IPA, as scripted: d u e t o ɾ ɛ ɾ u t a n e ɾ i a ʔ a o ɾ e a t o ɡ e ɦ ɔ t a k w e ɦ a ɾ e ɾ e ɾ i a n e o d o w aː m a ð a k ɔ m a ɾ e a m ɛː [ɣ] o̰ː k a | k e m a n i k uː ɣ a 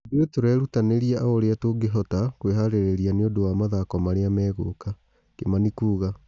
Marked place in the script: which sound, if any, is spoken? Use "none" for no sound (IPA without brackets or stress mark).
ɣ